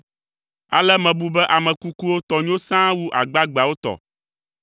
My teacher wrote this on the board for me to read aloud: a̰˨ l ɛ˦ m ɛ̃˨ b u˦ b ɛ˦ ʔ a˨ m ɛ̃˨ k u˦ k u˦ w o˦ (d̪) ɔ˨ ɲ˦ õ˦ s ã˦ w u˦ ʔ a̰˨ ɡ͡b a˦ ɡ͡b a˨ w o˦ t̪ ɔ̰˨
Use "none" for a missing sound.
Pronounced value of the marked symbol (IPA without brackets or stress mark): t̪